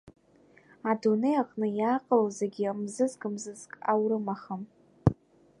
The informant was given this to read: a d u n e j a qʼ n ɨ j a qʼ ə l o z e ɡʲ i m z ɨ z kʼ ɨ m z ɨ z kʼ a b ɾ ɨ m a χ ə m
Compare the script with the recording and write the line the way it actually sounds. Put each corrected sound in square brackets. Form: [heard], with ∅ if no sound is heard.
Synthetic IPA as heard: a d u n e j a qʼ n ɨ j a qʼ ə l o z e ɡʲ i m z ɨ z kʼ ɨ m z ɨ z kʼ a [w] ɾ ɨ m a χ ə m